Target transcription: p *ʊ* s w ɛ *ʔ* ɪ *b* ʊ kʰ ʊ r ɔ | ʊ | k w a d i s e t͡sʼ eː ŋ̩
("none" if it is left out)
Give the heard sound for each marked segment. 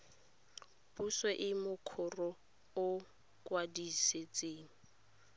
u, ʔ, m

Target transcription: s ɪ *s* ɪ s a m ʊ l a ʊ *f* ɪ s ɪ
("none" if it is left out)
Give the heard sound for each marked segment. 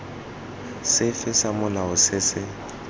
f, s

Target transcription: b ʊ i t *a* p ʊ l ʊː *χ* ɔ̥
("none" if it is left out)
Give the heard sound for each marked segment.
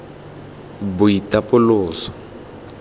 a, s

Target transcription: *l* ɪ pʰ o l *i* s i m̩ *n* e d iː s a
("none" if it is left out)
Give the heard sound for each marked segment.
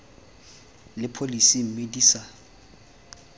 l, i, m

